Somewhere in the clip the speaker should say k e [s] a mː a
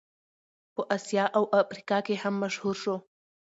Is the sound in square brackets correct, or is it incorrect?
incorrect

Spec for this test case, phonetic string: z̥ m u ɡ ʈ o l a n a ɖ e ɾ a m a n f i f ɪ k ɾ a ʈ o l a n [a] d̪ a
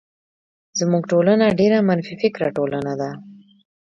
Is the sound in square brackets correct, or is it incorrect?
correct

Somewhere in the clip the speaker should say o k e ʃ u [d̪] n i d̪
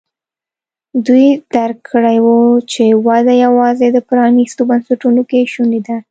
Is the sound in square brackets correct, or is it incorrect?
incorrect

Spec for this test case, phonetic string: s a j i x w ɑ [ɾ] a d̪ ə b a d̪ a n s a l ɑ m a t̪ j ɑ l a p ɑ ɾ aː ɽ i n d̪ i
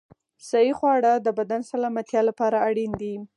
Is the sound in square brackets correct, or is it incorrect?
incorrect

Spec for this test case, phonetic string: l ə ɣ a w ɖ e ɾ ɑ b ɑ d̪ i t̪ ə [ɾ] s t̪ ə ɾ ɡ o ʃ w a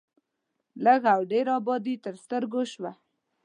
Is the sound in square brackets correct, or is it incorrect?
correct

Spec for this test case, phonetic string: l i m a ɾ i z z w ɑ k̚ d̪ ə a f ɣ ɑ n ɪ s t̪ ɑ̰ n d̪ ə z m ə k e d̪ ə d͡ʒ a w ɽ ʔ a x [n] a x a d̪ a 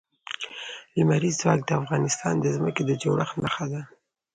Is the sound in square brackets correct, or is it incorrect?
correct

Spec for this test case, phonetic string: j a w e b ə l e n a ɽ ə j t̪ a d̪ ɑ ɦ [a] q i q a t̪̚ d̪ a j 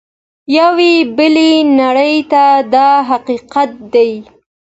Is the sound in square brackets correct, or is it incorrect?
correct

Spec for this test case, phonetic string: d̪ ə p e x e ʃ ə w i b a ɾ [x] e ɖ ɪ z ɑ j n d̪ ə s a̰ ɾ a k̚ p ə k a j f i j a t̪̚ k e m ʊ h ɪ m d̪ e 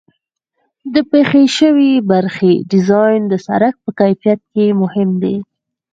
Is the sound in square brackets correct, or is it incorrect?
correct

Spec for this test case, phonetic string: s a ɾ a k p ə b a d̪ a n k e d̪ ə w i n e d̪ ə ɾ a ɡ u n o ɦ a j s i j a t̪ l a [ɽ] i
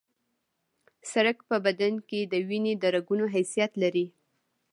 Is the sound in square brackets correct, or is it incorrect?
incorrect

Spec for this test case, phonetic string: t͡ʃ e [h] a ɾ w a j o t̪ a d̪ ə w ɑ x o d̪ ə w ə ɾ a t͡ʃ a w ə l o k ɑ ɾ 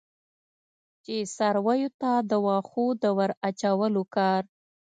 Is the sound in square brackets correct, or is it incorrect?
incorrect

